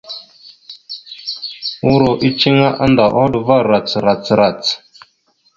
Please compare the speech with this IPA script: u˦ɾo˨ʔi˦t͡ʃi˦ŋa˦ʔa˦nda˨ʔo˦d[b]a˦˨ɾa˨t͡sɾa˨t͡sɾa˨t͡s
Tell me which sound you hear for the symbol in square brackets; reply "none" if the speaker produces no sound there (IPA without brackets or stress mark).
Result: v